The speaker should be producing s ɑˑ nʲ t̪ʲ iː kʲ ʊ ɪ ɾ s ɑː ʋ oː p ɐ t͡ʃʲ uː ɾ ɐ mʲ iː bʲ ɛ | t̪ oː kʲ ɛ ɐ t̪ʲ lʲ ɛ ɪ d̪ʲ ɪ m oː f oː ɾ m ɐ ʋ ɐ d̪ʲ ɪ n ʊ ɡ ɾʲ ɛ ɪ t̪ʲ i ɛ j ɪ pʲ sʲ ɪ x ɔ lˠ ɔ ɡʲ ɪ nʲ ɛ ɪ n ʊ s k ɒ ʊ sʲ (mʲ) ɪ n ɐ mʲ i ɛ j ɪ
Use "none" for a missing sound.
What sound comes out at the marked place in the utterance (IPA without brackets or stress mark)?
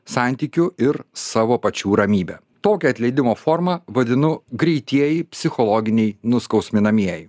mʲ